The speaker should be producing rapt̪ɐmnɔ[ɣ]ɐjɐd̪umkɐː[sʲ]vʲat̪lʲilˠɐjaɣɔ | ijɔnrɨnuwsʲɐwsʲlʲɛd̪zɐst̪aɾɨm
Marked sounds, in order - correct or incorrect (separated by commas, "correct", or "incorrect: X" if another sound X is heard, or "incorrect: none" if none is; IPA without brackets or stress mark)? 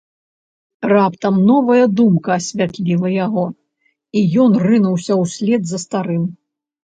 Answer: incorrect: v, correct